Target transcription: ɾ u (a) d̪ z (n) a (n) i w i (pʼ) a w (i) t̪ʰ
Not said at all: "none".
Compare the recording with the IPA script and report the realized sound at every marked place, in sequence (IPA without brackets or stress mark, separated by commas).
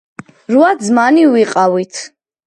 a, m, n, qʼ, i